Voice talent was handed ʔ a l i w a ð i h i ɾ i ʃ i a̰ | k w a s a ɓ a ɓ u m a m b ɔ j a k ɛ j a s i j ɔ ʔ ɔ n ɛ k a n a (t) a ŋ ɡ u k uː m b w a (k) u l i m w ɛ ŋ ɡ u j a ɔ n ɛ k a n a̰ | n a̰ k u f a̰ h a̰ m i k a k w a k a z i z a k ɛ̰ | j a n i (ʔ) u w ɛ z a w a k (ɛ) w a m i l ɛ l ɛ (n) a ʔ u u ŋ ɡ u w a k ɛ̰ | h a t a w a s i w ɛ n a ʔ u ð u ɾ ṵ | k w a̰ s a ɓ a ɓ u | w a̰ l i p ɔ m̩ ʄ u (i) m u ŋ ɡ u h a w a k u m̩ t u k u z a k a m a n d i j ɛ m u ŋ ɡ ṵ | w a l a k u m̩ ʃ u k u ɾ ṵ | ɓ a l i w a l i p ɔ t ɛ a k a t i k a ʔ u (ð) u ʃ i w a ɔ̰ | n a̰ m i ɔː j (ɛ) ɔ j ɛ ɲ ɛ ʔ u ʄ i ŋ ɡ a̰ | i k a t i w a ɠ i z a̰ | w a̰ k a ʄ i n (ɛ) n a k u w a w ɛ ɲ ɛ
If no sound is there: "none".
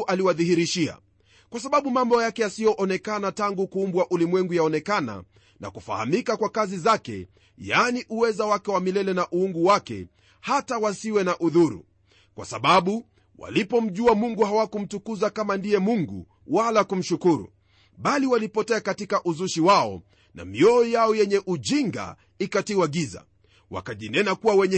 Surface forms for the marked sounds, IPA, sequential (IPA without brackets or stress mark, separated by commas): t, ʔ, ʔ, ɛ, n, a, z, a, ɛ